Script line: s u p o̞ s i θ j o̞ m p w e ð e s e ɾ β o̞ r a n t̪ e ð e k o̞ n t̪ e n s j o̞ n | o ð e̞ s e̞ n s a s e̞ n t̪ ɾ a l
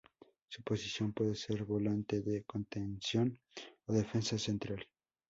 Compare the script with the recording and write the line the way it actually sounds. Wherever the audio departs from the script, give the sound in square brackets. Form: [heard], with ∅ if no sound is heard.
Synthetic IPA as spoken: s u p o̞ s i [s] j o̞ m p w e ð e s e ɾ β o̞ [l] a n t̪ e ð e k o̞ n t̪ e n s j o̞ n | o ð e̞ [f] e̞ n s a s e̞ n t̪ ɾ a l